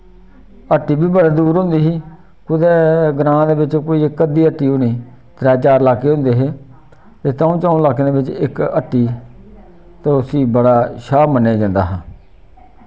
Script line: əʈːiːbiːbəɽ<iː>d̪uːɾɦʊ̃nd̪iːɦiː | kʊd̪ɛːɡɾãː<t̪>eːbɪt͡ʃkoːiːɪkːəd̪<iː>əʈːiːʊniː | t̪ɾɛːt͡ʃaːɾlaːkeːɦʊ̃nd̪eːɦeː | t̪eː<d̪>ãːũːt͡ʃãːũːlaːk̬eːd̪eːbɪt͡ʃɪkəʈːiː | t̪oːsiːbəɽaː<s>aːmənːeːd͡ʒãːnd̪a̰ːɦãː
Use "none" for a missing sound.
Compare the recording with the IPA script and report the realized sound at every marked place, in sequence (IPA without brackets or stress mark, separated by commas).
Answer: aː, d̪, iː, t̪, ʃ